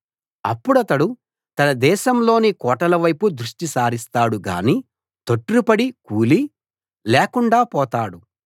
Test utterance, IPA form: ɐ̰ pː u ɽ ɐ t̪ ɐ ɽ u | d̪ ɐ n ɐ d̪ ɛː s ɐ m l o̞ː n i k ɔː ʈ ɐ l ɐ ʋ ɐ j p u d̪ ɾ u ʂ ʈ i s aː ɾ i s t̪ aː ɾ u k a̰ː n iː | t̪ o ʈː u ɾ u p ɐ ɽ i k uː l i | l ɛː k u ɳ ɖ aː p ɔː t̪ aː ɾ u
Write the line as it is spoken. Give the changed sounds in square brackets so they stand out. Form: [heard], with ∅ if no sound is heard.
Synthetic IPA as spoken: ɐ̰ pː u ɽ ɐ t̪ ɐ ɽ u | [t̪] ɐ n ɐ d̪ ɛː [ʃ] ɐ m l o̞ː n i k ɔː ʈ ɐ l ɐ ʋ ɐ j p u d̪ ɾ u ʂ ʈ i s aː ɾ i s t̪ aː [ɽ] u [ɡ] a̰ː n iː | t̪ o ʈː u ɾ u p ɐ ɽ i k uː l i | l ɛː k u ɳ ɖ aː p ɔː t̪ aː [ɽ] u